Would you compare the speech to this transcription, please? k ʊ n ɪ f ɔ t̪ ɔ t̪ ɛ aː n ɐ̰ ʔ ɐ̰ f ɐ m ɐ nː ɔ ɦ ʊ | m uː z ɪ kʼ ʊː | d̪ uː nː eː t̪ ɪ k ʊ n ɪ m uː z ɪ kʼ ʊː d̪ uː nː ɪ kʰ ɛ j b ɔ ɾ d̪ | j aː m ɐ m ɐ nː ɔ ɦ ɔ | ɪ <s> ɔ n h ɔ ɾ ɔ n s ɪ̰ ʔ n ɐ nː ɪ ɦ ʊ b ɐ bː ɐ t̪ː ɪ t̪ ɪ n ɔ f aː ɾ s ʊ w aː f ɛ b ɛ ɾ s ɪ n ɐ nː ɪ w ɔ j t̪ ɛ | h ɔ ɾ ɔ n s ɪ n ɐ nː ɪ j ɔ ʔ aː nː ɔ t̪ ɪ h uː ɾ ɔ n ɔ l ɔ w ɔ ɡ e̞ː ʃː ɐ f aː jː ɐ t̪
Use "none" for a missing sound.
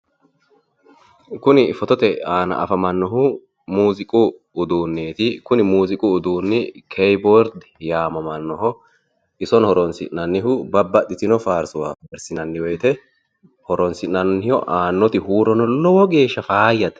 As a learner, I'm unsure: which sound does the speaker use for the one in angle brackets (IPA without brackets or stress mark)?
s